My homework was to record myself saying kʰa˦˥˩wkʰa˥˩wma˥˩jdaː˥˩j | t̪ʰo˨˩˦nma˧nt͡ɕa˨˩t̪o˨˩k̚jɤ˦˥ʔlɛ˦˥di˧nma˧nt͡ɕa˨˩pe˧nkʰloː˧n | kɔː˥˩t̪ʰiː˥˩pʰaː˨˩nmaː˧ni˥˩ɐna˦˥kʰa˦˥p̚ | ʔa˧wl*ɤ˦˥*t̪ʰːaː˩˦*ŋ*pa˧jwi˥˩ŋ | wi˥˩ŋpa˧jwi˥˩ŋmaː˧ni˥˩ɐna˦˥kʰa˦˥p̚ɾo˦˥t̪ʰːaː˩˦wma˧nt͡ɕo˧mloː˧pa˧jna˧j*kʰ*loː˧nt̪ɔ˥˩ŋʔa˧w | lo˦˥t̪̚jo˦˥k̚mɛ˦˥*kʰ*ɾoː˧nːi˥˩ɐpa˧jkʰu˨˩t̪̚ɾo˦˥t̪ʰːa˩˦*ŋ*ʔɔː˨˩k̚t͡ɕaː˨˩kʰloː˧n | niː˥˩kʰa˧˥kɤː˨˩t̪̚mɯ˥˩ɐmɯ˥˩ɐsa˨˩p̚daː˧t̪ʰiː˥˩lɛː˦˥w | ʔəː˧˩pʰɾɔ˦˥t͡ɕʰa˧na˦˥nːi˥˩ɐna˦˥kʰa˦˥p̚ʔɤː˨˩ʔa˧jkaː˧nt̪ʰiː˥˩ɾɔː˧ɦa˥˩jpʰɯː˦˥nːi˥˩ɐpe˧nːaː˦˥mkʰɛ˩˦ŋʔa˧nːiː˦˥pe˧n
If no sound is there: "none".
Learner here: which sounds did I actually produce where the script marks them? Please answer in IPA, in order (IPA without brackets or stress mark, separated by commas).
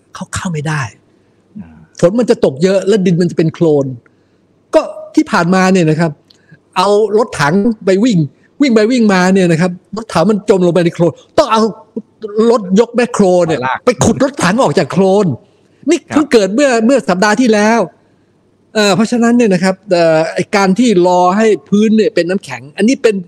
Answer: o˦˥, ŋ, kʰ, kʰ, ŋ